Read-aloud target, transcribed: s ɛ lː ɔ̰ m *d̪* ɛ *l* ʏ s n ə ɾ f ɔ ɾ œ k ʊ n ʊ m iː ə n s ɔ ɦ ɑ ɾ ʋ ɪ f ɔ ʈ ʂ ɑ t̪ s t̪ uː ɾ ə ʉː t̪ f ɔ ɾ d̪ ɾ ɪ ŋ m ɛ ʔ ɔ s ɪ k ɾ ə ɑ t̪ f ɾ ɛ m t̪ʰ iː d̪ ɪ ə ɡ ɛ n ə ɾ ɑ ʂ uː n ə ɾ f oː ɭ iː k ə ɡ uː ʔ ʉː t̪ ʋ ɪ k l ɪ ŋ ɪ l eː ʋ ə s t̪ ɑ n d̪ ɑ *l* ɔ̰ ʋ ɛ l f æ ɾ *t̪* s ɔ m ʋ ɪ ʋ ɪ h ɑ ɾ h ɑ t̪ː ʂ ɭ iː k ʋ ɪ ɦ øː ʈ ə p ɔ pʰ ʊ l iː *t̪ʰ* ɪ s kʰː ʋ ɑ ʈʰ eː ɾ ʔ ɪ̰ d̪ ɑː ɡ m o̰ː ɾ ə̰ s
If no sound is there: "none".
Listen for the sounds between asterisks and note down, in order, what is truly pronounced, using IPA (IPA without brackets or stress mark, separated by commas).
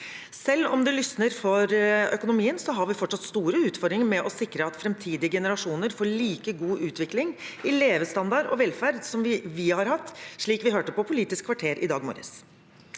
d̪, l, ɾ, d̪, t̪